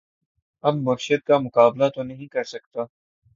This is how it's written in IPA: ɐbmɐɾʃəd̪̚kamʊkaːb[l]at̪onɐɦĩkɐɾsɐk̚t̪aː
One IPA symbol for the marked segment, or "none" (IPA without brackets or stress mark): l